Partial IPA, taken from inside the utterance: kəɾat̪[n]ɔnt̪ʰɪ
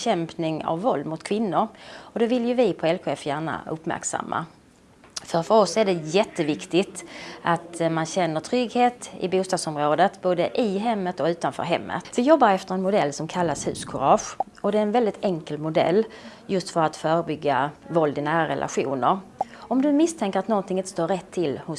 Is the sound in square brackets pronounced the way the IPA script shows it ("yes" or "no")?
yes